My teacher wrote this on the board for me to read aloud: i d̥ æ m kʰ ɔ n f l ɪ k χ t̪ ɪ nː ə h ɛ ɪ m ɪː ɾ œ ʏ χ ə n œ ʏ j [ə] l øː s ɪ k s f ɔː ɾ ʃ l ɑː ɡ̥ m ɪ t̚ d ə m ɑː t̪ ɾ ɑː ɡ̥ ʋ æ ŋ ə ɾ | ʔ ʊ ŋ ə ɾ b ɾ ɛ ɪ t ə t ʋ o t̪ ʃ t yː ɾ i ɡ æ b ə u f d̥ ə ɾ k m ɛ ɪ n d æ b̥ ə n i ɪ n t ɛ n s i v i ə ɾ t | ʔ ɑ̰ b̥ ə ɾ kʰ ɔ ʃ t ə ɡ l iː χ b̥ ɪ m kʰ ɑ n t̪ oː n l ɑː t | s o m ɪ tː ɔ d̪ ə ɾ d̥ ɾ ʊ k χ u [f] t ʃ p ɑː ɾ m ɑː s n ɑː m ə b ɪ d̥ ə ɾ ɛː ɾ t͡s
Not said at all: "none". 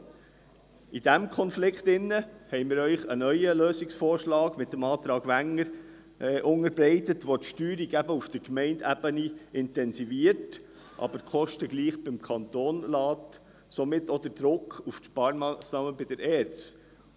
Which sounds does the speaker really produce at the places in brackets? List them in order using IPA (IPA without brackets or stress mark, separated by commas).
ə, f